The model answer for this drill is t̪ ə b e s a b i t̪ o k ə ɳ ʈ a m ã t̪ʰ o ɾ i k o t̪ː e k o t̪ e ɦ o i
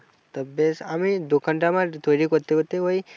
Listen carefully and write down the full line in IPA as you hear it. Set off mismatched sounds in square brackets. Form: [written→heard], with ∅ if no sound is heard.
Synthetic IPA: t̪ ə b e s a [b→m] i [t̪→d̪] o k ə ɳ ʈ a m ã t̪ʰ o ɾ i k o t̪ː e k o t̪ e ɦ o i